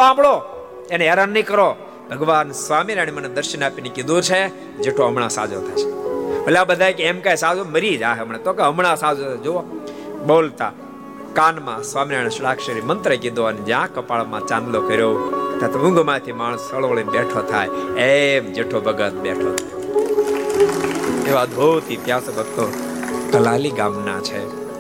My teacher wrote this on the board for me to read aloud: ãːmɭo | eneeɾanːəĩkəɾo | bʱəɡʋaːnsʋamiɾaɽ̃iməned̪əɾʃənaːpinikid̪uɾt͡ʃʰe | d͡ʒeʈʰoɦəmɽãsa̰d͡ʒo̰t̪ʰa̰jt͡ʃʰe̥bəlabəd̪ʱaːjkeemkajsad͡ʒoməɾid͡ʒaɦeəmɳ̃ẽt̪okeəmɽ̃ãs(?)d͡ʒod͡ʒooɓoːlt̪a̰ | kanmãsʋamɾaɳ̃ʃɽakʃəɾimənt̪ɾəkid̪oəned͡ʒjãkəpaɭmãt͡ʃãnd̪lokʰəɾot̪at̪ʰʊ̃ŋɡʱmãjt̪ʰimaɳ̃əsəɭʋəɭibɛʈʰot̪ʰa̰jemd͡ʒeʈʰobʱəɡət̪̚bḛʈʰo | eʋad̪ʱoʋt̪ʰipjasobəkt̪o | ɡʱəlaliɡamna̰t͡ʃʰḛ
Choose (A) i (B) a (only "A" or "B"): B